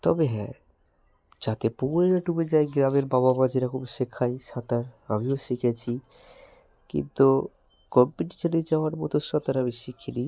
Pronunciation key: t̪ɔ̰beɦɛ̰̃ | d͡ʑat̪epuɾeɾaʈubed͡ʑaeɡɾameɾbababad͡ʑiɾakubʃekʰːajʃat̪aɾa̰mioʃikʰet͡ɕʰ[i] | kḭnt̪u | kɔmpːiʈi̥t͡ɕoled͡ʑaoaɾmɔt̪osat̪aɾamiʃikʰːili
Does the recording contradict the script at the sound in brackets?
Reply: no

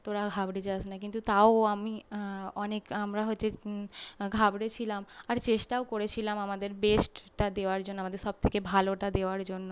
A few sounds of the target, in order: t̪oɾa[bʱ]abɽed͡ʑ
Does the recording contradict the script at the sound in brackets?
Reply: yes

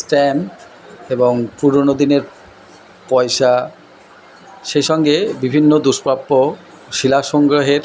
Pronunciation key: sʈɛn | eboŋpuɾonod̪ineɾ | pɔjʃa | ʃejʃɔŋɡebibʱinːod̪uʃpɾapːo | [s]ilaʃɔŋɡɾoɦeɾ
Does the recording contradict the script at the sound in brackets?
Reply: yes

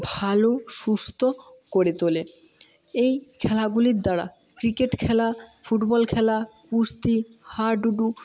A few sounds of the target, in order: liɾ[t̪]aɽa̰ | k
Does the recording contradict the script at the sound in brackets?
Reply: yes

